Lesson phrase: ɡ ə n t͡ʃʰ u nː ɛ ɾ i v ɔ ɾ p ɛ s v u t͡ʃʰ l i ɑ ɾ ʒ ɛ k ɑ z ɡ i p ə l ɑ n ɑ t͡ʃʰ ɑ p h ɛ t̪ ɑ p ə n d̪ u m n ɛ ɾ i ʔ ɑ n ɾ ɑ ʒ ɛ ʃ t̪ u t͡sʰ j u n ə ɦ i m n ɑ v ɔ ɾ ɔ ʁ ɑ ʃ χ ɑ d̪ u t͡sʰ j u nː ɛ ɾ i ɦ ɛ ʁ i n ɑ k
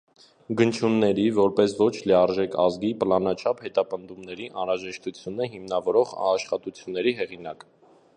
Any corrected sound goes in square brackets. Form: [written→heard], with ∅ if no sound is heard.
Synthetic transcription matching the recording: ɡ ə n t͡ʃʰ u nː ɛ ɾ i v ɔ ɾ p ɛ s v [u→ɔ] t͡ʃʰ l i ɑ ɾ ʒ ɛ k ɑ z ɡ i p ə l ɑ n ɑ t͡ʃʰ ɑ p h ɛ t̪ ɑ p ə n d̪ u m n ɛ ɾ i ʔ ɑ n ɾ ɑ ʒ ɛ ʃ t̪ u t͡sʰ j u n ə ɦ i m n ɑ v ɔ ɾ ɔ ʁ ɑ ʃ χ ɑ [d̪→t̪] u t͡sʰ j u nː ɛ ɾ i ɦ ɛ ʁ i n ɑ k